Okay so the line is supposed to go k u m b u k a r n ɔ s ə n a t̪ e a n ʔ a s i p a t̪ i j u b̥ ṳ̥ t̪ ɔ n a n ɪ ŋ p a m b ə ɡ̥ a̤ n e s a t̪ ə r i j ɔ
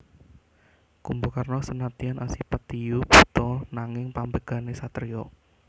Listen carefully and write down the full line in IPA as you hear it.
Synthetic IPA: k u m b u k a r n ɔ s ə n a t̪ i a n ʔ a s i p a t̪ i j u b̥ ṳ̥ t̪ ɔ n a ŋ ɪ ŋ p a m b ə ɡ̥ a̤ n e s a t̪ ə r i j ɔ